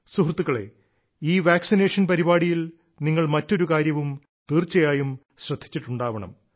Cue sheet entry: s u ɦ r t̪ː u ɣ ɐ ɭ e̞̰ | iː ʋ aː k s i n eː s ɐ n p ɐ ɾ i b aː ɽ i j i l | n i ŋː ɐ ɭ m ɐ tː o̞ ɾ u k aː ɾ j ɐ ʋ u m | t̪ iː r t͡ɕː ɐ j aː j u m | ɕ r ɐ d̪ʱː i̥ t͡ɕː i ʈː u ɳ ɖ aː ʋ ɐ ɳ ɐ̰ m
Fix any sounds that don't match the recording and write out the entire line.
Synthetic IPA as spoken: s u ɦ r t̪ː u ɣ ɐ ɭ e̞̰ | iː ʋ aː k s i n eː ʂ ɐ n p ɐ ɾ i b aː ɽ i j i l | n i ŋː ɐ ɭ m ɐ tː o̞ ɾ u k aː ɾ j ɐ ʋ u m | t̪ iː r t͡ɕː ɐ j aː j u m | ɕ r ɐ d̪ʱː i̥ t͡ɕː i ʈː u ɳ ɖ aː ʋ ɐ ɳ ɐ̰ m